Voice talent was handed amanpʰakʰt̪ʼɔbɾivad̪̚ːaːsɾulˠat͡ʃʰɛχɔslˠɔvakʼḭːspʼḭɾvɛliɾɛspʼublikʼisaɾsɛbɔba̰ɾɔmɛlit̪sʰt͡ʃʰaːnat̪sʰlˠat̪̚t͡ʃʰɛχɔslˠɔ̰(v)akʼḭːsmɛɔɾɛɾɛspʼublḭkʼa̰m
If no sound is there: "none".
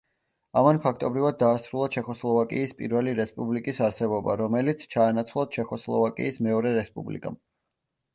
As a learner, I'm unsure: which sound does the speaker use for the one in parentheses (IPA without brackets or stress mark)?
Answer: v